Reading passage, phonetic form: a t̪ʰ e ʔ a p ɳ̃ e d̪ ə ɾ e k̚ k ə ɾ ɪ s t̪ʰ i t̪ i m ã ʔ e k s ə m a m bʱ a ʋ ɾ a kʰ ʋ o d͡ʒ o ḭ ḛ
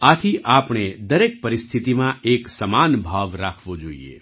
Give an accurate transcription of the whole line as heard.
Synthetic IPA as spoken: a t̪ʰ i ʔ a p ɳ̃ e d̪ ə ɾ e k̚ p ə ɾ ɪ s t̪ʰ i t̪ i m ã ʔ e k s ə m a n bʱ a ʋ ɾ a kʰ ʋ o d͡ʒ o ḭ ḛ